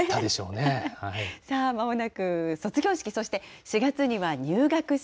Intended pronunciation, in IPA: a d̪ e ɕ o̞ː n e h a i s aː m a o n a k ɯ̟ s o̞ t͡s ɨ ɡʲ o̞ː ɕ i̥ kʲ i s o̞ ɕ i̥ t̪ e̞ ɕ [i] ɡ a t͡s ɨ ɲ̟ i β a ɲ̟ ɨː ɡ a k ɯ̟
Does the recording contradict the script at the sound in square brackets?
no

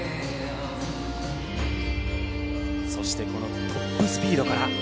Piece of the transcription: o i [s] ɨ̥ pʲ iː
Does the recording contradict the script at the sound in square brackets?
no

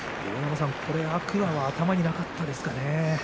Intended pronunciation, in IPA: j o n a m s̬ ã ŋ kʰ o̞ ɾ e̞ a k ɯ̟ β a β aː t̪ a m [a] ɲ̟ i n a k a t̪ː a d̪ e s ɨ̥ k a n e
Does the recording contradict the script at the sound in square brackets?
no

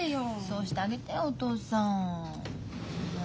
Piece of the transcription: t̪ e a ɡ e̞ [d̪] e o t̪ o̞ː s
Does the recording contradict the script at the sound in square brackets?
yes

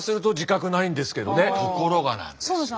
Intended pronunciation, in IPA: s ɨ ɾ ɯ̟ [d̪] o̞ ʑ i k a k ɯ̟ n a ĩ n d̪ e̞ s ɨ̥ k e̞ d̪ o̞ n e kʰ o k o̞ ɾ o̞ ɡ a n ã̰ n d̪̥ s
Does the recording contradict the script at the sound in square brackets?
yes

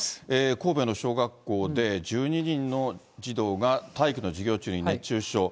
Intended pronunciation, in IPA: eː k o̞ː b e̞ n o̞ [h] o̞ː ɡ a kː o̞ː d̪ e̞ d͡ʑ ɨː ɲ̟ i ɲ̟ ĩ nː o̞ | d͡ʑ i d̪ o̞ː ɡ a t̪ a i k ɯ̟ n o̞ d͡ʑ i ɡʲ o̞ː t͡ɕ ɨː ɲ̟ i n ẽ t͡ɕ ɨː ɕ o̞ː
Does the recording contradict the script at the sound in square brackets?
yes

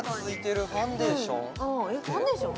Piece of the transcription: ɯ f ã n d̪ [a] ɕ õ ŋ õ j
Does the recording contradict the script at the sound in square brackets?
yes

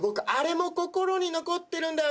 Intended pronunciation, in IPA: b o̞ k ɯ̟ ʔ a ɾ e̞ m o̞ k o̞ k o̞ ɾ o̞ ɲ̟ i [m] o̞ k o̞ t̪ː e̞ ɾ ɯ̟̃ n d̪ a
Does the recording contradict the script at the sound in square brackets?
yes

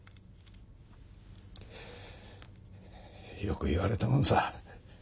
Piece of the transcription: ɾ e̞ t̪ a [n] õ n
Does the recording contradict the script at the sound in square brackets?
yes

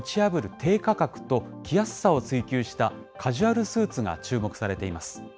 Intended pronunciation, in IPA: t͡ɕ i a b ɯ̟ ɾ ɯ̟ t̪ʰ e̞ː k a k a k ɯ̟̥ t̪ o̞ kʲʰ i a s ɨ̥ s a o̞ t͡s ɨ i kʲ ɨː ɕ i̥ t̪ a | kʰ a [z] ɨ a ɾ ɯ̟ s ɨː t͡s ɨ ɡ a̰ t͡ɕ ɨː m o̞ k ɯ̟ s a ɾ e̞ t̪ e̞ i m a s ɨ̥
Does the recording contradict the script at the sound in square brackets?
yes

